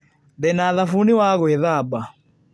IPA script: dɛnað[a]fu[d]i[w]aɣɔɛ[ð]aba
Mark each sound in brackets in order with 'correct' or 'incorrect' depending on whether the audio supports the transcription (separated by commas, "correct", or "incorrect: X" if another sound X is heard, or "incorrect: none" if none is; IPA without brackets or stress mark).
correct, incorrect: n, correct, correct